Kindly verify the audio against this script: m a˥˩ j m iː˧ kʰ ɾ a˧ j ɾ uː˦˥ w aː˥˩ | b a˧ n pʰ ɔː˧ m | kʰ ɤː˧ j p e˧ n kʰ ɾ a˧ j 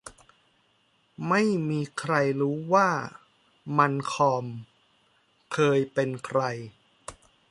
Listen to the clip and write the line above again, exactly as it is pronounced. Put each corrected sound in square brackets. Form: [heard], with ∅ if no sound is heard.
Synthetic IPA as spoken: m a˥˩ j m iː˧ kʰ ɾ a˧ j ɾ uː˦˥ w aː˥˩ | [m] a˧ n [kʰ] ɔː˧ m | kʰ ɤː˧ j p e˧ n kʰ ɾ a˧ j